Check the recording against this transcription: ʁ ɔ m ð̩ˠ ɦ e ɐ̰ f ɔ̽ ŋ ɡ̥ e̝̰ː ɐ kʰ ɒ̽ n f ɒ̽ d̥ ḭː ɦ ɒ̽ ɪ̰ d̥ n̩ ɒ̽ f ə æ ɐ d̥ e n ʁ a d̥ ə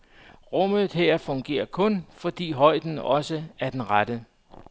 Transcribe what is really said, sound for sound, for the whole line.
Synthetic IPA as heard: ʁ ɔ m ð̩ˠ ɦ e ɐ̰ f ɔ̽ ŋ ɡ̥ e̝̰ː ɐ kʰ ɔ̽ n f ɒ̽ d̥ ḭː ɦ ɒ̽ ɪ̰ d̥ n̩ ɒ̽ s ə æ ɐ d̥ e n ʁ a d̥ ə